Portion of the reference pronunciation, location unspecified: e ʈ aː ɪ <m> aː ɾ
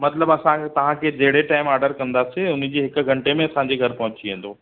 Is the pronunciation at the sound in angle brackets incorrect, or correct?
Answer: correct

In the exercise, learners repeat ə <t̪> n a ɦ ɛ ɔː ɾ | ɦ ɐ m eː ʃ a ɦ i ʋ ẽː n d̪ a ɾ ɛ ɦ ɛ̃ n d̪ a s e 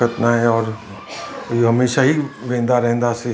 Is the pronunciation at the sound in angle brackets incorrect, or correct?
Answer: correct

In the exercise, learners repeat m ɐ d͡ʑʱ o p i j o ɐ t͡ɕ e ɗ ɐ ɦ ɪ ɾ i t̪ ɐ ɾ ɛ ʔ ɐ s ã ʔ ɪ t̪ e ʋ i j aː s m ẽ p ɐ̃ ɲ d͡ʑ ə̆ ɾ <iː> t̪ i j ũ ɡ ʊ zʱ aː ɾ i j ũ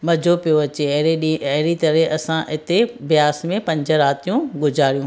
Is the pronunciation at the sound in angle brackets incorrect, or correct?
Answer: incorrect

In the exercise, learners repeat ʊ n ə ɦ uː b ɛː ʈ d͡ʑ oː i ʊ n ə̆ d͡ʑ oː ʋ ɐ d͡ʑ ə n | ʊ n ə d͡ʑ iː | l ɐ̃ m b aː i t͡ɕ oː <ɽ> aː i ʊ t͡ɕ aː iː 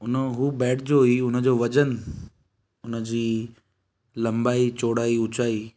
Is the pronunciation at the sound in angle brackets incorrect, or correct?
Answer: correct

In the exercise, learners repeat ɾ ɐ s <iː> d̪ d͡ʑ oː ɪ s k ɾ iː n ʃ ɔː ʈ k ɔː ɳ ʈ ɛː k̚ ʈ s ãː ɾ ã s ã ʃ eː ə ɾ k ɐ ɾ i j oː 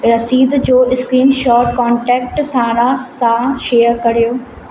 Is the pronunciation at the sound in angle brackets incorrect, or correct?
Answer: correct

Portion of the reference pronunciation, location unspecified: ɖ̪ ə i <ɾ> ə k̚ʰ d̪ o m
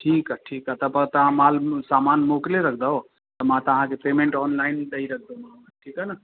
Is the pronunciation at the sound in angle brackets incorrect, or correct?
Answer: correct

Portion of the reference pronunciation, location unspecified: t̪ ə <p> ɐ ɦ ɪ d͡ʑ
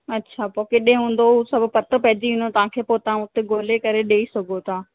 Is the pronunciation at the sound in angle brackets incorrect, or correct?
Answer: correct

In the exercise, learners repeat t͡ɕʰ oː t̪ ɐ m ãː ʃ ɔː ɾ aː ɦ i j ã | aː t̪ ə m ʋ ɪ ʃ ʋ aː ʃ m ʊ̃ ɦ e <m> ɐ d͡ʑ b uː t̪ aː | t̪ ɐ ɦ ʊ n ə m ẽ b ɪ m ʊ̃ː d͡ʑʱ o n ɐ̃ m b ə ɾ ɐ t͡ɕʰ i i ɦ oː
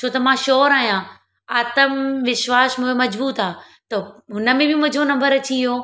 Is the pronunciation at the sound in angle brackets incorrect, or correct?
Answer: correct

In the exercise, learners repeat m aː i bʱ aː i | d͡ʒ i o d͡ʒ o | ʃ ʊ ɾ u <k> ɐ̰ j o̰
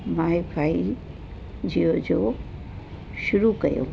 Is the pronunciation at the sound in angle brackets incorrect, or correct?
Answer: correct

